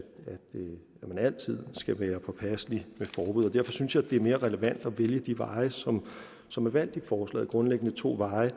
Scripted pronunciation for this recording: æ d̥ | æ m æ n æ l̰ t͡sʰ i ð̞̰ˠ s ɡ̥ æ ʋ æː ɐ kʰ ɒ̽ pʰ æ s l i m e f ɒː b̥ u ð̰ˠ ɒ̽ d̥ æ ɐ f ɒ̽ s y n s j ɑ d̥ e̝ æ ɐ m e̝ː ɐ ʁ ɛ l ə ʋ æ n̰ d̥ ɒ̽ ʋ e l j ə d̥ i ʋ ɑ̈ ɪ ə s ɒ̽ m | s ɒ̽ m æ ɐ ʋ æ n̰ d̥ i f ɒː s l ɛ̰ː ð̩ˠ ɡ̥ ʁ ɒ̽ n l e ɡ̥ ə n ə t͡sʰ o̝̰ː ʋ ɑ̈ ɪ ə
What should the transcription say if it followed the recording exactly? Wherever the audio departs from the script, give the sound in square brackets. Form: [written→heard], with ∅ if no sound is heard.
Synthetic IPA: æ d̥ | æ m æ n æ l̰ t͡sʰ i ð̞̰ˠ s ɡ̥ æ ʋ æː ɐ [kʰ→pʰ] ɒ̽ pʰ æ s l i m e f ɒː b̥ u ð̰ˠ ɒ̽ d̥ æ ɐ f ɒ̽ s y n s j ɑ d̥ e̝ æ ɐ m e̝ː ɐ ʁ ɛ l ə ʋ æ n̰ d̥ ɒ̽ ʋ e l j ə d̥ i ʋ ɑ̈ ɪ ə s ɒ̽ m | s ɒ̽ m æ ɐ ʋ æ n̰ d̥ i f ɒː s l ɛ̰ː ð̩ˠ ɡ̥ ʁ [ɒ̽→ɔ̽] n l e ɡ̥ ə n ə t͡sʰ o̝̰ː ʋ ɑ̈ ɪ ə